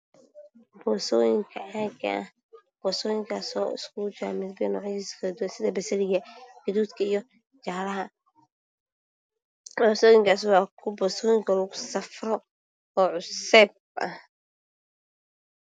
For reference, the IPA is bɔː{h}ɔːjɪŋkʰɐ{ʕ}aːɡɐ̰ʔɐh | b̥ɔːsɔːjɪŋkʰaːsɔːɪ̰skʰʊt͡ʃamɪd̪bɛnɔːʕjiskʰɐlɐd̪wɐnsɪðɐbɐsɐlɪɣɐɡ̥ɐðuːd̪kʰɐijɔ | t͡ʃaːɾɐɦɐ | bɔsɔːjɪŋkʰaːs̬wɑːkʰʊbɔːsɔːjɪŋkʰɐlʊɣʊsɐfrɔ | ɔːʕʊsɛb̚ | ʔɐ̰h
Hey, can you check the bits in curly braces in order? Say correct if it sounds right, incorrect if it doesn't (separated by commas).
incorrect, correct